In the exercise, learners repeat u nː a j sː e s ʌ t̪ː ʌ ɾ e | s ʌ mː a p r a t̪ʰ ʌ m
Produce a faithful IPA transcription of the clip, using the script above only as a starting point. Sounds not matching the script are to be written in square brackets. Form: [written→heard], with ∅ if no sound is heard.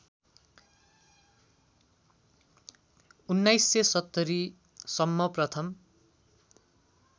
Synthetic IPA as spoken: u nː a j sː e s ʌ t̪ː ʌ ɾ [e→i] | s ʌ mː [a→ʌ] p r [a→ʌ] t̪ʰ ʌ m